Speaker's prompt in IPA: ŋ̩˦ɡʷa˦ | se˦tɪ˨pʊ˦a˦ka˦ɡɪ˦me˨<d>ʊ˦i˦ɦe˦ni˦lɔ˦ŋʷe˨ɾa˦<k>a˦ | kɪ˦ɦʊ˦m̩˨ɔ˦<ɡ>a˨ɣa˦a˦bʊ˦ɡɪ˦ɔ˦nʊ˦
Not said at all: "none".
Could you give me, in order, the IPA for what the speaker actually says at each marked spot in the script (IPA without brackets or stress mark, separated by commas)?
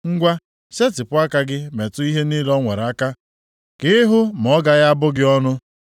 t, k, ɡ